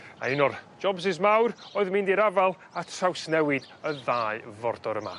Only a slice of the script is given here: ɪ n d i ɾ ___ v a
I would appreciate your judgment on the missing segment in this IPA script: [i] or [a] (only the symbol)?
a